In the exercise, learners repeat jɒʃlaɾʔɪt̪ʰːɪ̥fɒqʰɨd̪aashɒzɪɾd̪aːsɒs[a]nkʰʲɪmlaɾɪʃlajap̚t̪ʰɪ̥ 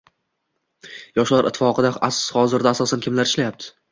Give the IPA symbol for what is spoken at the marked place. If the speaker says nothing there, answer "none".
a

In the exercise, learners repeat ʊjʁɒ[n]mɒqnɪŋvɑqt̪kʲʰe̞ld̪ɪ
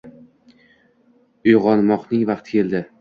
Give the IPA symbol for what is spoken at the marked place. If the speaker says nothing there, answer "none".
n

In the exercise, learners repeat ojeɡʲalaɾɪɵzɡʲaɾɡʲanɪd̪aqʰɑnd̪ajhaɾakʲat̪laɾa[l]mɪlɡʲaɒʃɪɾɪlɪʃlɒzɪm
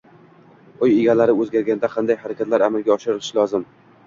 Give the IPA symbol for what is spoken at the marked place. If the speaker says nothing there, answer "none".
none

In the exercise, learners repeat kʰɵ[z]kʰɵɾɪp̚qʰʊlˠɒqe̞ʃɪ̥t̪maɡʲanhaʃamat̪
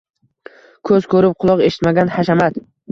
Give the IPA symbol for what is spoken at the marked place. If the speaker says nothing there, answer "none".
z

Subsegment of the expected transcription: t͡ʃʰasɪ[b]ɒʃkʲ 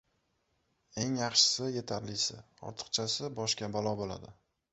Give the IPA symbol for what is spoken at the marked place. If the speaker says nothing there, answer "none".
b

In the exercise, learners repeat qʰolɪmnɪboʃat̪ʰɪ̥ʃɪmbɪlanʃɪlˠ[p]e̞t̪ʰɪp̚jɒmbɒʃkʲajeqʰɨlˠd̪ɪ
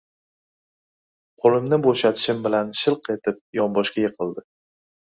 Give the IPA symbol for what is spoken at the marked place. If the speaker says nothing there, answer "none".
q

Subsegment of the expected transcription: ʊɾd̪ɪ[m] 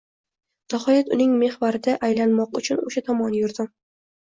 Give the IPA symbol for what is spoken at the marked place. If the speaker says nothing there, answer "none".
m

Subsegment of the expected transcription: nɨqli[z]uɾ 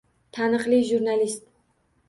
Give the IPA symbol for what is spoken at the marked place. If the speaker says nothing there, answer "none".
ʒ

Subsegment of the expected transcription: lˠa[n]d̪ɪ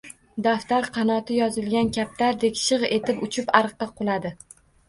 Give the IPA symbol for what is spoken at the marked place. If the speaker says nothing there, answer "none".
none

